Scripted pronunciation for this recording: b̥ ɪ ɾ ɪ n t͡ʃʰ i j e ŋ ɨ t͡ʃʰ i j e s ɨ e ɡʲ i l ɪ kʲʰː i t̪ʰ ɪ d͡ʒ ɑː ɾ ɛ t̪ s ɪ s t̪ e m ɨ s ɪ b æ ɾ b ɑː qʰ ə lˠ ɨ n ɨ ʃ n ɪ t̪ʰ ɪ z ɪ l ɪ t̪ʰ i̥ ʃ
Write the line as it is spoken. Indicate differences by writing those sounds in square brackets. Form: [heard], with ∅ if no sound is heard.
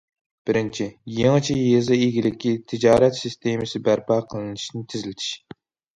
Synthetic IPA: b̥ ɪ ɾ ɪ n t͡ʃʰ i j e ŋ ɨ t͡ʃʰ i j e [z] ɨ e ɡʲ i l ɪ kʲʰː i t̪ʰ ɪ d͡ʒ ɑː ɾ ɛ t̪ s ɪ s t̪ e m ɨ s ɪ b æ ɾ [p] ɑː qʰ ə lˠ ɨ n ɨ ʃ n ɪ t̪ʰ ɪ z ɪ l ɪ t̪ʰ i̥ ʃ